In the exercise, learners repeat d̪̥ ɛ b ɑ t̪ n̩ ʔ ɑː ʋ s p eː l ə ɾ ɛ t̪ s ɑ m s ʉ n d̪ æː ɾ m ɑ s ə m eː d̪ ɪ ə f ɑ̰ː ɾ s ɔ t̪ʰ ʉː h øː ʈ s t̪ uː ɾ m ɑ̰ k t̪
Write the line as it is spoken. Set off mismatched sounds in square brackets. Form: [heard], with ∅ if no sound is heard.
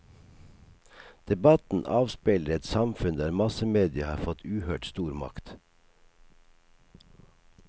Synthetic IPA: d̪̥ ɛ b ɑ t̪ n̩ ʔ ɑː ʋ s p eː l ə ɾ ɛ t̪ s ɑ m [f] ʉ n d̪ æː ɾ m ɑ s ə m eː d̪ ɪ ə [h] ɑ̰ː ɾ [f] ɔ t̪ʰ ʉː h øː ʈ s t̪ uː ɾ m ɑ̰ k t̪